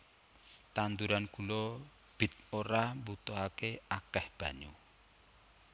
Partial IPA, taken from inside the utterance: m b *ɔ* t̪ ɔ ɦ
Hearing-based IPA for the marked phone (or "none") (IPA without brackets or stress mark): u